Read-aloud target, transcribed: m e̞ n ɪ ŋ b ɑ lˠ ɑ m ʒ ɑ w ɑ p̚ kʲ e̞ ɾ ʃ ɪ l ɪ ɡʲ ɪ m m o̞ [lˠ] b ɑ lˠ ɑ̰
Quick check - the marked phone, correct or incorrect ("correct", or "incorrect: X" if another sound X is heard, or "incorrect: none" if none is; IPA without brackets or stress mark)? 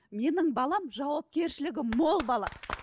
correct